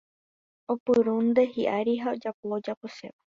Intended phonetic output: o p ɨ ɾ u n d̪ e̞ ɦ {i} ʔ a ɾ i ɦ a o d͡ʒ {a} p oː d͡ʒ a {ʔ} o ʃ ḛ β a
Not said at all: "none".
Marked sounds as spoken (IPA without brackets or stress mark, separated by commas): i, a, p